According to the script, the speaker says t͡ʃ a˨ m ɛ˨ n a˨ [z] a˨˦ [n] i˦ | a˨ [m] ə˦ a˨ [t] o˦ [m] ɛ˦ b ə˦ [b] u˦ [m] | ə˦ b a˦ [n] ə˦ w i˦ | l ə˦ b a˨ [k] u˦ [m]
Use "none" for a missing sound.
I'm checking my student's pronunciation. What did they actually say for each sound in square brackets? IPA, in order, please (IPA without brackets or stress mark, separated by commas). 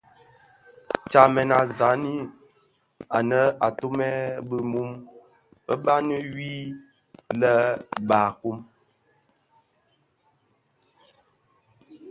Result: z, n, n, t, m, m, m, n, k, m